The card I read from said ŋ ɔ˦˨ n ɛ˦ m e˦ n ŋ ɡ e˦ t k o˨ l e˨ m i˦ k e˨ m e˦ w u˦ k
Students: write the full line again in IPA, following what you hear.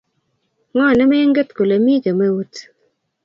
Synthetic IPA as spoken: ŋ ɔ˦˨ n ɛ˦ m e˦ ŋ ɡ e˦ t k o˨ l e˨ m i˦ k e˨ m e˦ w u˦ t